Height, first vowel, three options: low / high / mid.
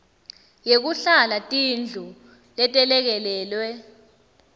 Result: mid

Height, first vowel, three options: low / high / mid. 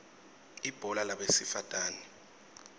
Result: high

